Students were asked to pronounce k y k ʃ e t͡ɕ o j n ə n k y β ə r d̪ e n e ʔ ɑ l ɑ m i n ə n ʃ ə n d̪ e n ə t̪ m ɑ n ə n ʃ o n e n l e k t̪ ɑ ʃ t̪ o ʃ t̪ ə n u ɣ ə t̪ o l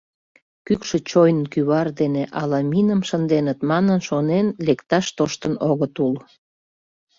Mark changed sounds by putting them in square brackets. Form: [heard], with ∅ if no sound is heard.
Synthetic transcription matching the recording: k y k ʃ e t͡ɕ o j n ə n k y β [ɑ] r d̪ e n e ʔ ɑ l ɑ m i n ə [m] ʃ ə n d̪ e n ə t̪ m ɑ n ə n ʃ o n e n l e k t̪ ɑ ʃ t̪ o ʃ t̪ ə n [o] ɣ ə t̪ [u] l